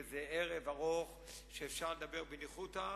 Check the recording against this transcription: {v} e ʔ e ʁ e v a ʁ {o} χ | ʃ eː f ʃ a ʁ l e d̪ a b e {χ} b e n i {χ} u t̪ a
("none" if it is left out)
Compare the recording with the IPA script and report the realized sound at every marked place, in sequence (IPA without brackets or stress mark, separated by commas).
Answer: z, o, ʁ, χ